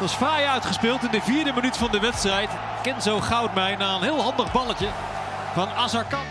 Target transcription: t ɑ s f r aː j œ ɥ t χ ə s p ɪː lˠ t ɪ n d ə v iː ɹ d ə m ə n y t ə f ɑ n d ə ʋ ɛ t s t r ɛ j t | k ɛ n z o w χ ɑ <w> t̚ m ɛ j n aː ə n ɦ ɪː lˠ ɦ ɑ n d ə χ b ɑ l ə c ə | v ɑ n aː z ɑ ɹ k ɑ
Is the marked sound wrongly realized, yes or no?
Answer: no